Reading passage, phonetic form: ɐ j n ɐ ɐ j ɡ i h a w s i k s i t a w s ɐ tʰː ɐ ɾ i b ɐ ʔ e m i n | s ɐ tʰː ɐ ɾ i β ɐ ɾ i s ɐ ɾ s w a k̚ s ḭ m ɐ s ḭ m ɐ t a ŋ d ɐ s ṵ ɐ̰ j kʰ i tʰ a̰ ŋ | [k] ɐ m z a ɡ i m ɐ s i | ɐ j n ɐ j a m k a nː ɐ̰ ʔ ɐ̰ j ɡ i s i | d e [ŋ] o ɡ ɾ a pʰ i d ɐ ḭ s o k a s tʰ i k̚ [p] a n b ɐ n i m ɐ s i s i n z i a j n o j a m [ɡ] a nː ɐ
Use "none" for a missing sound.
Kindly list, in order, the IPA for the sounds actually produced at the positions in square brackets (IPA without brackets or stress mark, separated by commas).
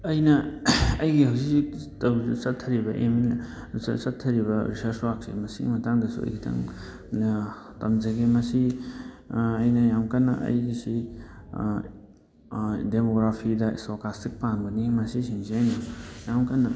t, m, p, k